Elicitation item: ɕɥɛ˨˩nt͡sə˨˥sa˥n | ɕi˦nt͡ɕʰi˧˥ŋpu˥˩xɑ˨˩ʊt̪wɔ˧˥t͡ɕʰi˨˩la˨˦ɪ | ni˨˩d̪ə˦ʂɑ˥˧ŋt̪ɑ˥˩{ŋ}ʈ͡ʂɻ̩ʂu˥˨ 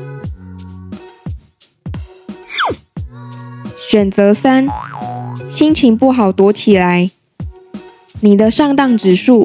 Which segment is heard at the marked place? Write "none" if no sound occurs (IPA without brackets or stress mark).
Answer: ŋ